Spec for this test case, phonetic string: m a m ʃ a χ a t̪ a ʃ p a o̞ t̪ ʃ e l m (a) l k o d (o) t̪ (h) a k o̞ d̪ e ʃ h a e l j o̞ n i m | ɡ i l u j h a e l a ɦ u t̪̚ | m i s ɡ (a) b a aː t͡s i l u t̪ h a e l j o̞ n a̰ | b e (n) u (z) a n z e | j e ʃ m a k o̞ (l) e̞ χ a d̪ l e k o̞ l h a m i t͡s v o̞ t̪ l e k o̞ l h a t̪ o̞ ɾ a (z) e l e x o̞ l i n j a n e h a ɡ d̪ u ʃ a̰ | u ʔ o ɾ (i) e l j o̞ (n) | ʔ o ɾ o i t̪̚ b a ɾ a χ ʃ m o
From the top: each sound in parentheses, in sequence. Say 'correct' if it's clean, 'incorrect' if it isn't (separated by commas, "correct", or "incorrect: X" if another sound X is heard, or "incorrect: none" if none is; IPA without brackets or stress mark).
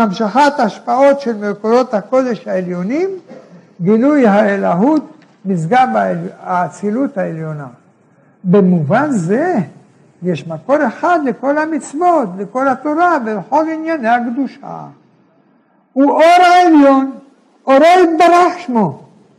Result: incorrect: e, correct, correct, correct, incorrect: m, incorrect: v, incorrect: ɾ, incorrect: v, incorrect: a, correct